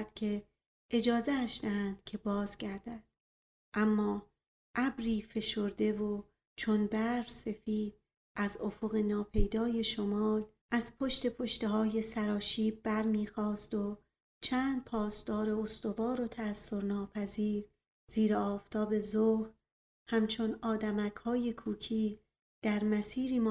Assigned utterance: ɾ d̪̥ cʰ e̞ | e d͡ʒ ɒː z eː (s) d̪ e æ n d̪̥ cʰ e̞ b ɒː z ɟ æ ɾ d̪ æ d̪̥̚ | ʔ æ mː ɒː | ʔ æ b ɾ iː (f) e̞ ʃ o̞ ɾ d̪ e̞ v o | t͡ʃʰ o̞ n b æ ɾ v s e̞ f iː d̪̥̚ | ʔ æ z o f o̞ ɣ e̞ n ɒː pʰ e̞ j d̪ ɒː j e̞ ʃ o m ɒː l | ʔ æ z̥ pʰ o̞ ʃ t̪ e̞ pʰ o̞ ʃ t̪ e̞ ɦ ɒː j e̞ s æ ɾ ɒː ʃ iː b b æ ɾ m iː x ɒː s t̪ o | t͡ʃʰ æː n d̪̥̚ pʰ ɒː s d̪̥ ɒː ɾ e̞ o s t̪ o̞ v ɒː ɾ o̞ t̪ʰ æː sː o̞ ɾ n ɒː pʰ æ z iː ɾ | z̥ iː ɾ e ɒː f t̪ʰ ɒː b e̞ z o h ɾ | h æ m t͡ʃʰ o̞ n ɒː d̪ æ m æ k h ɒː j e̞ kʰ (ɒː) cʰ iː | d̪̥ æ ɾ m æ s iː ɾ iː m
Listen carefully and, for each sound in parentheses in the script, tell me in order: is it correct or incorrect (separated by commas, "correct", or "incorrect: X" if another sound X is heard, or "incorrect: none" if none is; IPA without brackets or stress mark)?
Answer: incorrect: ʃ, correct, incorrect: uː